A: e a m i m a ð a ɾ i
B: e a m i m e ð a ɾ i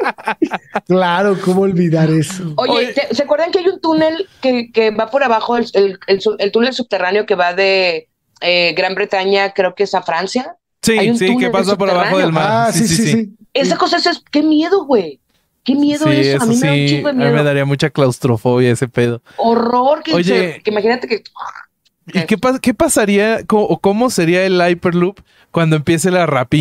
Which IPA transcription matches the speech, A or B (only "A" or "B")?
B